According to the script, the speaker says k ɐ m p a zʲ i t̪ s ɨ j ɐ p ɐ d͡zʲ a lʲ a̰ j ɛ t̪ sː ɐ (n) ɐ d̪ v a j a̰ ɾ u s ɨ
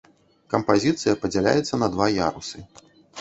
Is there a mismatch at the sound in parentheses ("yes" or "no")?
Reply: no